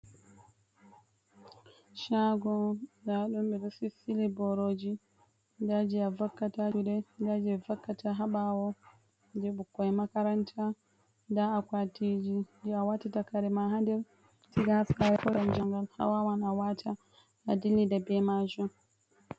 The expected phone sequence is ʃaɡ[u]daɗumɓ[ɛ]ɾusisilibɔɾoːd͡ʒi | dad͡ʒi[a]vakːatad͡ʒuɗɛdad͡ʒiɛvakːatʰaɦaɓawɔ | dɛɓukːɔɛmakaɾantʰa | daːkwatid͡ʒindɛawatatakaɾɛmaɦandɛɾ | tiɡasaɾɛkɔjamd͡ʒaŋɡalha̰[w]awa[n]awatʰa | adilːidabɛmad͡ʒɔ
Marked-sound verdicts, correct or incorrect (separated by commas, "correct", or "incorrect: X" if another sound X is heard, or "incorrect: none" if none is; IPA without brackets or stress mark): incorrect: ɔ, correct, correct, correct, correct